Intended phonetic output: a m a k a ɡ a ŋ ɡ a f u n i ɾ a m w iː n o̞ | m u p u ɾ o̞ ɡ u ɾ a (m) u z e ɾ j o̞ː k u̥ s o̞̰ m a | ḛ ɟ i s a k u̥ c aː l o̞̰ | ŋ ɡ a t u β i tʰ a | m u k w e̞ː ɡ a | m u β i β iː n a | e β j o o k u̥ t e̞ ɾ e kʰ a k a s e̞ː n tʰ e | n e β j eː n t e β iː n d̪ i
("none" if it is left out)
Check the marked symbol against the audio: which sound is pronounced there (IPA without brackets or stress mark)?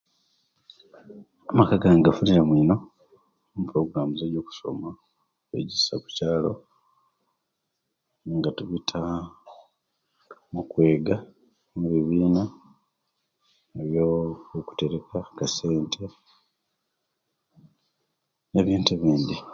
m